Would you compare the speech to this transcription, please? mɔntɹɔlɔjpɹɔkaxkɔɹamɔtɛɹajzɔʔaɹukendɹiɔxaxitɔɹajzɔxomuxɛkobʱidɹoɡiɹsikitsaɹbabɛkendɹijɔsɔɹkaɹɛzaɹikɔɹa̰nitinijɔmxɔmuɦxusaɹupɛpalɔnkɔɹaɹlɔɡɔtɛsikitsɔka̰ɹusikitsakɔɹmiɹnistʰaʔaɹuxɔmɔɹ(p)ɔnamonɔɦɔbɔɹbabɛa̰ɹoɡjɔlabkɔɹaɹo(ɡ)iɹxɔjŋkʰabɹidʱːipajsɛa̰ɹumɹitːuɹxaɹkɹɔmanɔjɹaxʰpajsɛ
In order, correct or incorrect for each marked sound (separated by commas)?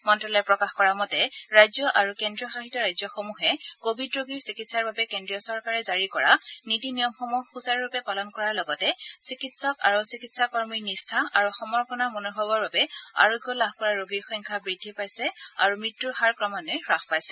correct, correct